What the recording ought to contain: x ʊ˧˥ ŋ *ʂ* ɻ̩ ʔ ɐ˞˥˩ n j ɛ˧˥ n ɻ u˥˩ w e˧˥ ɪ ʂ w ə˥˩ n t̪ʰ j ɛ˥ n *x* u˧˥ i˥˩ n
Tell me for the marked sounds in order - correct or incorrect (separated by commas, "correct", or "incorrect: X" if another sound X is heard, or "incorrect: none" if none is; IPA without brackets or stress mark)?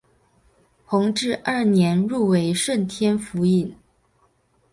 incorrect: ʈ͡ʂ, incorrect: f